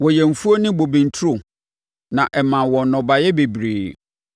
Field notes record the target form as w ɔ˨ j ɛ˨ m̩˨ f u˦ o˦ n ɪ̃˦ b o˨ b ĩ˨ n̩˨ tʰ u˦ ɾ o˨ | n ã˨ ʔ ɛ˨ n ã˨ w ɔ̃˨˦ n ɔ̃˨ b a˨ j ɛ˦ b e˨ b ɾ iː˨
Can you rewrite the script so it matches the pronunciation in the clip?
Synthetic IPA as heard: w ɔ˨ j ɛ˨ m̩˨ f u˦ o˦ n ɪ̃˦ b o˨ b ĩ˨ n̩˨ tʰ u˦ ɾ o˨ | n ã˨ ʔ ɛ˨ m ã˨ w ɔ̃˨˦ n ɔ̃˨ b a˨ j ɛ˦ b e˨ b ɾ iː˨